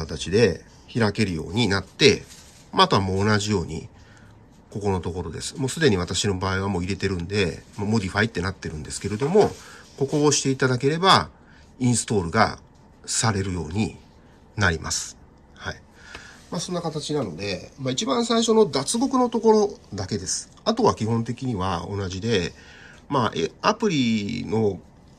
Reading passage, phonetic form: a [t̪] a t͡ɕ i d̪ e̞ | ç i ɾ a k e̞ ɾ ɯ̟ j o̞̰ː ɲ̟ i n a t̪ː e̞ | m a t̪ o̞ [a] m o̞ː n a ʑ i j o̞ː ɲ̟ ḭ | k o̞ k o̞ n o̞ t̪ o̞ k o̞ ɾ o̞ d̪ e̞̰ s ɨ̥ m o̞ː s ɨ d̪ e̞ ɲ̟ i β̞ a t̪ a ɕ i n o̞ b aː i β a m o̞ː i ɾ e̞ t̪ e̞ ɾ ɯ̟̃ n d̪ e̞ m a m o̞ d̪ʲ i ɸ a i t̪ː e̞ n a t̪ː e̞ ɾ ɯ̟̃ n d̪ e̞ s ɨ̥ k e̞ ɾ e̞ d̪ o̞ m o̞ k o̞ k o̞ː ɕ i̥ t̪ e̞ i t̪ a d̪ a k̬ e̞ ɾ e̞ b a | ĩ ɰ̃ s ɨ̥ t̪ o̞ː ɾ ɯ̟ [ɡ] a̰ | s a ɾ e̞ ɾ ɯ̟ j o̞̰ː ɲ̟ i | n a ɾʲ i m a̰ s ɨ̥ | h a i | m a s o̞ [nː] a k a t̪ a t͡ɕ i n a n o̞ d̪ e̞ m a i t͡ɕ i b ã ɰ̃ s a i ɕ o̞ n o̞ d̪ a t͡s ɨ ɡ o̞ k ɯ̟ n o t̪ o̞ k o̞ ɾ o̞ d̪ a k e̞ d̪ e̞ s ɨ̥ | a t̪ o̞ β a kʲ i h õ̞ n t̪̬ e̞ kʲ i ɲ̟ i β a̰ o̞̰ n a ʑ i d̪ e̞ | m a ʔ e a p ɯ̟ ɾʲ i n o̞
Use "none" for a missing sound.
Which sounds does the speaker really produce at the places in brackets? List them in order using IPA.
t̪, a, ɡ, nː

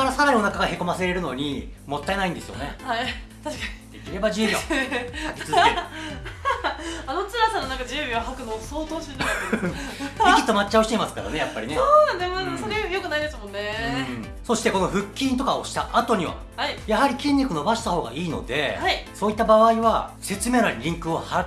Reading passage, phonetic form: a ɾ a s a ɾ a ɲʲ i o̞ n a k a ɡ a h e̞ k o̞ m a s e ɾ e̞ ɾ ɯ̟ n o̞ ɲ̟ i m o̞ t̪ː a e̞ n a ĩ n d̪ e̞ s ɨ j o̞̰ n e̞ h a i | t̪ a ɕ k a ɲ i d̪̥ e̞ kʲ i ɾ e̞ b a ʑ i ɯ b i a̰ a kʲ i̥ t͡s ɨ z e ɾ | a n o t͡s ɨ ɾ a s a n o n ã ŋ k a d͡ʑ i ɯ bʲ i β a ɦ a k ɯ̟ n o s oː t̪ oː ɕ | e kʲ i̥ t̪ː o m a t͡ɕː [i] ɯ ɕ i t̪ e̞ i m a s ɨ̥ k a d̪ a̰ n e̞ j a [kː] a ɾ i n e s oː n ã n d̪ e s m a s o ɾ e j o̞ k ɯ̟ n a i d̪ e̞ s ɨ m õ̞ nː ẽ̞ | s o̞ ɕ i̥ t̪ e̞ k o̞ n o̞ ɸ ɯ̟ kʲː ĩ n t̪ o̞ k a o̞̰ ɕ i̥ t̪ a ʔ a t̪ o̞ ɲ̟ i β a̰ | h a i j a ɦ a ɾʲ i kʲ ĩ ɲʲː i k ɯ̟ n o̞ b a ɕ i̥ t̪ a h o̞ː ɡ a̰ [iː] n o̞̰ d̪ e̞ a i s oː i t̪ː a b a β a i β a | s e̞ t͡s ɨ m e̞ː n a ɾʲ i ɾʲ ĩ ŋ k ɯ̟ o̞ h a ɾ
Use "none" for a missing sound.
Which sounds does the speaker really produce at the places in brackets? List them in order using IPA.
a, pː, iː

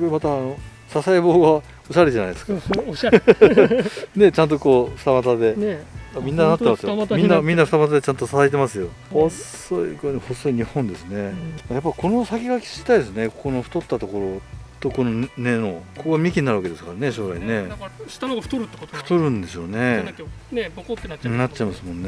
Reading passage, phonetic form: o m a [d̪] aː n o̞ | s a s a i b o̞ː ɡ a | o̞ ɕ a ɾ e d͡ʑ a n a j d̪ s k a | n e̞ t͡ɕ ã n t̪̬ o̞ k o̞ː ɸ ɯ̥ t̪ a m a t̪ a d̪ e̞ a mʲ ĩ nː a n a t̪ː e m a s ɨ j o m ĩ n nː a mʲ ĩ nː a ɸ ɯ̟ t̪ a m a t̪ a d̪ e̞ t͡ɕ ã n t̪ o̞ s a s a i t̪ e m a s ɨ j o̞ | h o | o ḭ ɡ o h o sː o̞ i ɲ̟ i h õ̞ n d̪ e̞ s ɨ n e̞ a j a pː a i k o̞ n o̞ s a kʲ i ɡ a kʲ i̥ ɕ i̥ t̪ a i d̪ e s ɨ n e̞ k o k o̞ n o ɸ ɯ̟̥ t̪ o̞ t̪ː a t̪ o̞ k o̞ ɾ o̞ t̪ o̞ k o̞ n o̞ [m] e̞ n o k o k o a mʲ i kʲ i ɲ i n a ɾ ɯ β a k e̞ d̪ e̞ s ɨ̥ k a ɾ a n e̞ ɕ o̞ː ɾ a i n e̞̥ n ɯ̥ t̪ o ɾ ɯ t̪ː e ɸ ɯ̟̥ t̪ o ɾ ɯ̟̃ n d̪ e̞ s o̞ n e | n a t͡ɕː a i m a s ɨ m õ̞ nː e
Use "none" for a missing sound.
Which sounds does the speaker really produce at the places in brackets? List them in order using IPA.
t̪, n

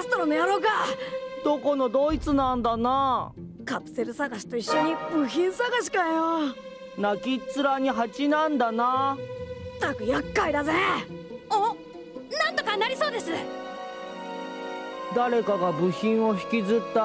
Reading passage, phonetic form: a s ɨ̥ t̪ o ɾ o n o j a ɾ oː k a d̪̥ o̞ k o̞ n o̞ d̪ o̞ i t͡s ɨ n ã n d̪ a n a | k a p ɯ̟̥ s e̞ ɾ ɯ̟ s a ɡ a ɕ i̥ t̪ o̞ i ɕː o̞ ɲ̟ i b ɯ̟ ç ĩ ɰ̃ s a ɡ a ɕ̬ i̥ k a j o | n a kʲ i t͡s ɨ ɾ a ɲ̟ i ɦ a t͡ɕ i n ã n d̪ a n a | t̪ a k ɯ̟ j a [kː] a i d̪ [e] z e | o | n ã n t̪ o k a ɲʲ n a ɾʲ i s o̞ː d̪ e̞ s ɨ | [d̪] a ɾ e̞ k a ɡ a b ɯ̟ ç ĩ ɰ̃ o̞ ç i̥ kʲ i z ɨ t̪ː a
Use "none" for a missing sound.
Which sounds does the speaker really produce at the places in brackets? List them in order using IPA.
kː, a, d̪

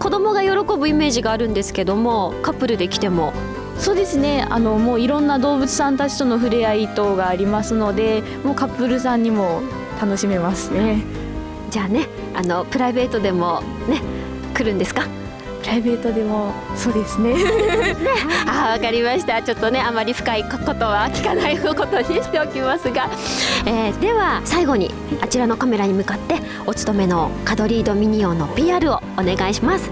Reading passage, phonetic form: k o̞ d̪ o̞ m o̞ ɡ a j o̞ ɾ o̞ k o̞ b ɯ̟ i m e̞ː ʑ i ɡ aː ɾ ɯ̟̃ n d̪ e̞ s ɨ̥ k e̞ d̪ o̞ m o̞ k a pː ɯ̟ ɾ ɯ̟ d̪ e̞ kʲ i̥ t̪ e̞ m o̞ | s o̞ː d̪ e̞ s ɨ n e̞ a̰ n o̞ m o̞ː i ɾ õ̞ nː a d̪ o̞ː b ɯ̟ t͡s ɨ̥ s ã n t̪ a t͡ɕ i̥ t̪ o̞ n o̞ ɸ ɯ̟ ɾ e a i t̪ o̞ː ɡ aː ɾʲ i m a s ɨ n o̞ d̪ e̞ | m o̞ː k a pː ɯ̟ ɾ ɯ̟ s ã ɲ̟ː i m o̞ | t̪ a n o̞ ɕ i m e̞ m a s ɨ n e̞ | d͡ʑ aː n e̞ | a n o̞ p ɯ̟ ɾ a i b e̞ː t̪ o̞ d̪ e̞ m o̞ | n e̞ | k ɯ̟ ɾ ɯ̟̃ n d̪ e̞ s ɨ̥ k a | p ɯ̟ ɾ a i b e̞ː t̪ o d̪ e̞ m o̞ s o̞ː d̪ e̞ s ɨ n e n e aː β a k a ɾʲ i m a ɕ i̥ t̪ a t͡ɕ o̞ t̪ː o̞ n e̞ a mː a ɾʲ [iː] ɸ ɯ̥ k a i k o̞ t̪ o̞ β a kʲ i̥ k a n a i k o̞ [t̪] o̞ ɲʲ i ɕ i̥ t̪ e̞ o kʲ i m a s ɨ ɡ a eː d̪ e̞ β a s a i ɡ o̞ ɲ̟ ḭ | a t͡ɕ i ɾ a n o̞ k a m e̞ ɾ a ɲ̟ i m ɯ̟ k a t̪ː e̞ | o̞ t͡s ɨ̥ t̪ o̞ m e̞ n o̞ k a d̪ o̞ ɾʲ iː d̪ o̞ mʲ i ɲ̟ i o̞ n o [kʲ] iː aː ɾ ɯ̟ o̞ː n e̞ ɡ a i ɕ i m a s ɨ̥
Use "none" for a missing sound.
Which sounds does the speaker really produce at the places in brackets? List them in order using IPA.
i, t̪, pʲ

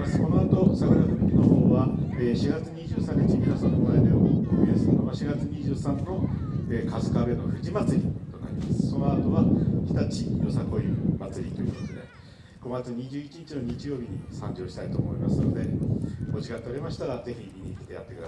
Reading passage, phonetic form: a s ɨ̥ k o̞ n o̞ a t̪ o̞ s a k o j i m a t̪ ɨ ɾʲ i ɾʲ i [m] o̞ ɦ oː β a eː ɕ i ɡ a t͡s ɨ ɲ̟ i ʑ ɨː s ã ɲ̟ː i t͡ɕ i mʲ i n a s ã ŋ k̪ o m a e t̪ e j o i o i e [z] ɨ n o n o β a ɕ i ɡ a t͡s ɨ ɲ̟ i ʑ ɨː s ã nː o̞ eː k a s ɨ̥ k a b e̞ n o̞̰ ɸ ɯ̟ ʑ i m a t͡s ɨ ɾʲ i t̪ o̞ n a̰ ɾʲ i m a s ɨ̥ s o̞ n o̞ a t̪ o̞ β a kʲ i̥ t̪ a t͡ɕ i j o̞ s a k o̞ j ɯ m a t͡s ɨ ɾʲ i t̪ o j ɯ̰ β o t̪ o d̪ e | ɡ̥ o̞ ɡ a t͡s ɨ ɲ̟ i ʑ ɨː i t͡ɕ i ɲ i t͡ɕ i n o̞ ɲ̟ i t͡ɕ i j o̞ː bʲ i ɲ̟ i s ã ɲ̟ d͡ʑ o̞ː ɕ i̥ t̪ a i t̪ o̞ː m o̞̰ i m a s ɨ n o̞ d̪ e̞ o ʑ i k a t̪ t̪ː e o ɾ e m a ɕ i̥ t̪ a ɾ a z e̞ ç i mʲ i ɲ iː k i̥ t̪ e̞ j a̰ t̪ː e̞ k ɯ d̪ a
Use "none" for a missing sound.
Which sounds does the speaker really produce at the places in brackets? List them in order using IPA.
n, s

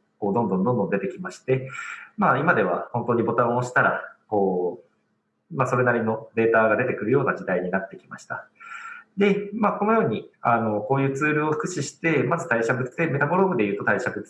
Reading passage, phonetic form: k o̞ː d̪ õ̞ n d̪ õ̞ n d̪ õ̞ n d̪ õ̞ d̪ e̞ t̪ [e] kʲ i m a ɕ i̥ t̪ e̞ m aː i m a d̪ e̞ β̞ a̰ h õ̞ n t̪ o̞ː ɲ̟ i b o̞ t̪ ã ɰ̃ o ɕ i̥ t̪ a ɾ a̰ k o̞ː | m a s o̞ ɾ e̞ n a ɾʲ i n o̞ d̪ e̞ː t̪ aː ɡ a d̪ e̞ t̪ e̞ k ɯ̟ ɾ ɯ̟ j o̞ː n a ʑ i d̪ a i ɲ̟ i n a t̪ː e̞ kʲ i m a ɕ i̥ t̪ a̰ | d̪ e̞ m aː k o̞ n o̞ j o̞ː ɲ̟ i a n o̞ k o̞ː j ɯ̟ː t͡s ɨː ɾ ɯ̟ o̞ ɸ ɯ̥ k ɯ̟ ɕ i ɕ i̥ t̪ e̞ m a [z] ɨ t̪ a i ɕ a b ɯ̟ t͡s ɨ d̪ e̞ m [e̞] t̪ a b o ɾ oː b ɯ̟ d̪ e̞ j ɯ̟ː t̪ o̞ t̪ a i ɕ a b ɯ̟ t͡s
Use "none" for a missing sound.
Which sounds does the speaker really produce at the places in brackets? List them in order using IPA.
e, z, e̞

